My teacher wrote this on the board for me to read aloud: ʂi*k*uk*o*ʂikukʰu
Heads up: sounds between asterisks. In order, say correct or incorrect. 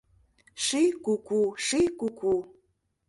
correct, incorrect: u

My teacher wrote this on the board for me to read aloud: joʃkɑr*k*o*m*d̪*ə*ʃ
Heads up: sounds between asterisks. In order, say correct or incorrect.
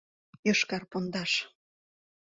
incorrect: p, incorrect: n, incorrect: ɑ

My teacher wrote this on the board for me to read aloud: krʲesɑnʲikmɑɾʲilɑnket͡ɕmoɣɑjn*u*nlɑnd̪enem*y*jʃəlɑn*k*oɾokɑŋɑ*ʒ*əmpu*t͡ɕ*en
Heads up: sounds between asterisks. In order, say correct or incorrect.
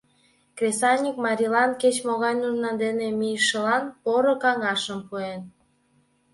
correct, incorrect: i, incorrect: p, incorrect: ʃ, incorrect: none

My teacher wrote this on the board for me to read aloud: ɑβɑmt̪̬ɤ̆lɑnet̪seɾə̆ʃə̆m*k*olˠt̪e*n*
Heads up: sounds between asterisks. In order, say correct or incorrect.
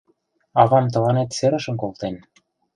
correct, correct

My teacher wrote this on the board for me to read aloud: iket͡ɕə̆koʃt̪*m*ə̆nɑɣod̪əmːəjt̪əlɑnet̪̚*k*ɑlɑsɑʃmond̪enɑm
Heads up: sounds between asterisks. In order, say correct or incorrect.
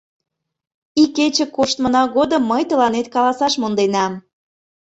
correct, correct

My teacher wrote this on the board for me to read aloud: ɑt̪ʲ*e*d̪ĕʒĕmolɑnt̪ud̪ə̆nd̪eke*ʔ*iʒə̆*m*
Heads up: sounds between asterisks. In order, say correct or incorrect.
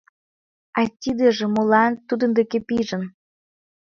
incorrect: i, incorrect: p, incorrect: n

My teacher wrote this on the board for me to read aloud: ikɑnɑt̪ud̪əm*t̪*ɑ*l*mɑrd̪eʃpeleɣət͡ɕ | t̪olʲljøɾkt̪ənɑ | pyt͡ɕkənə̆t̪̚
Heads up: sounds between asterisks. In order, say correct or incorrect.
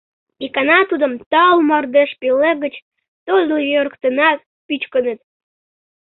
correct, correct

